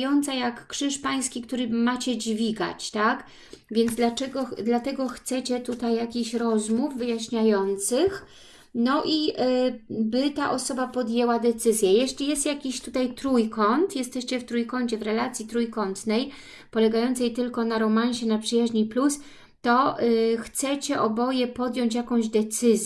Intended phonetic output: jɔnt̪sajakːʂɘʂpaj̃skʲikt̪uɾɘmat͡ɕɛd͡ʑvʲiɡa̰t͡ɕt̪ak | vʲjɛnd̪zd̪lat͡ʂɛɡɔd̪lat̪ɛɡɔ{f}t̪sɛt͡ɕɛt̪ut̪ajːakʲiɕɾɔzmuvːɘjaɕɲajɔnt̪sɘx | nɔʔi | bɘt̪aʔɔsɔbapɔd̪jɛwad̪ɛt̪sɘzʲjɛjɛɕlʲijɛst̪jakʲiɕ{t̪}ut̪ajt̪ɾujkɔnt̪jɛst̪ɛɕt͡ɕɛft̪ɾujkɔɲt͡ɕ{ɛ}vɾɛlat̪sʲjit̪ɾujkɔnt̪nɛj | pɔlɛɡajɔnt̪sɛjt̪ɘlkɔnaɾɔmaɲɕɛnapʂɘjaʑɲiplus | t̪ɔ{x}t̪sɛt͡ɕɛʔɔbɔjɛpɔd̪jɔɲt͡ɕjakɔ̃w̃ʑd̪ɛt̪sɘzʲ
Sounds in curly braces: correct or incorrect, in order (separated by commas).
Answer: incorrect, correct, correct, correct